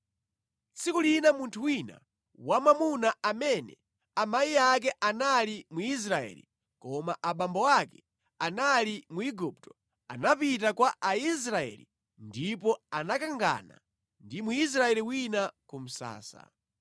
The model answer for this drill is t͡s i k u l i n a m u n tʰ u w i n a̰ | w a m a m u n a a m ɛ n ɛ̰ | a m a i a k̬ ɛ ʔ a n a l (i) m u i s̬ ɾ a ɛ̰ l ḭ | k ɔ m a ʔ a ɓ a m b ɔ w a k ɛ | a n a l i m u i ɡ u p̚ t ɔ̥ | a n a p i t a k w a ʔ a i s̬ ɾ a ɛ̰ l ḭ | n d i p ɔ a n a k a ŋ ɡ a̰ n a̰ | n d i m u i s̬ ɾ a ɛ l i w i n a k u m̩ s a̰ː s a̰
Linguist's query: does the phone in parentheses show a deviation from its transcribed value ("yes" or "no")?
no